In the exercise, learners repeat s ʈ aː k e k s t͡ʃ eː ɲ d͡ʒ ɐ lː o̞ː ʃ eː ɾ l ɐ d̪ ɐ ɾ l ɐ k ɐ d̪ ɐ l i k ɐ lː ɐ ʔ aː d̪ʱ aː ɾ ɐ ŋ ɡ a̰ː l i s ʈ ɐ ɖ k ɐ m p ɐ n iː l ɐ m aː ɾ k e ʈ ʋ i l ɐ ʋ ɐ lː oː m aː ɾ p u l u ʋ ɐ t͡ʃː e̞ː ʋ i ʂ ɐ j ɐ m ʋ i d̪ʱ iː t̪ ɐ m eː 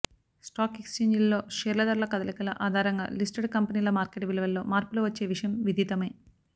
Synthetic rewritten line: s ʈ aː k e k s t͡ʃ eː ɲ d͡ʒ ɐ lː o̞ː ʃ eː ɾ l ɐ d̪ ɐ ɾ l ɐ k ɐ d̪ ɐ l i k ɐ l ɐ ʔ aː d̪ʱ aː ɾ ɐ ŋ ɡ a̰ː l i s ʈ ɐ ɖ k ɐ m p ɐ n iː l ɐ m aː ɾ k e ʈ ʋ i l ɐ ʋ ɐ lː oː m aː ɾ p u l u ʋ ɐ t͡ʃː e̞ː ʋ i ʂ ɐ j ɐ m ʋ i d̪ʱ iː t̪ ɐ m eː